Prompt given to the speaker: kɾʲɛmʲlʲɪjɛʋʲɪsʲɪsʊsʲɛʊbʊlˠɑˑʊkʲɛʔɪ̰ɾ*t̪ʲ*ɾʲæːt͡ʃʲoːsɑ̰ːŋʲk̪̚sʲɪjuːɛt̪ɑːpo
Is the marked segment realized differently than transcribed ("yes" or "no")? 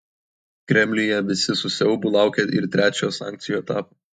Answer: no